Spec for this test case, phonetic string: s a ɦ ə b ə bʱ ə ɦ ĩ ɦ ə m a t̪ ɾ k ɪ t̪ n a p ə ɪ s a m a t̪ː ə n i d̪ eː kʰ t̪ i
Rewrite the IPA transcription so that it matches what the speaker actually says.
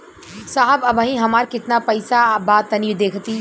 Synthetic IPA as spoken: s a ɦ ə b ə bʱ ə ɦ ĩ ɦ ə m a ɾ k ɪ t̪ n a p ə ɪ s a b a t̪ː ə n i d̪ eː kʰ t̪ i